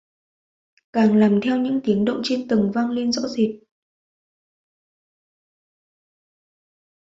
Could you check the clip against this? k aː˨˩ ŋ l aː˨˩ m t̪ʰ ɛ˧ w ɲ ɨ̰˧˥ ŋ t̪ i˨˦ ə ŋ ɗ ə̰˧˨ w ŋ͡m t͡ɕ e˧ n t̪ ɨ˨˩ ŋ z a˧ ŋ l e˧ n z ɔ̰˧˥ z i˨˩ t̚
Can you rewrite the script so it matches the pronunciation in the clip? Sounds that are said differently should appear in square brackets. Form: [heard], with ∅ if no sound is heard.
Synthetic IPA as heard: k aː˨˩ ŋ l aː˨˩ m t̪ʰ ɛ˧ w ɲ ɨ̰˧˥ ŋ t̪ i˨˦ ə ŋ ɗ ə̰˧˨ w ŋ͡m t͡ɕ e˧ n t̪ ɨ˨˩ ŋ [v] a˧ ŋ l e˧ n z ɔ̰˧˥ z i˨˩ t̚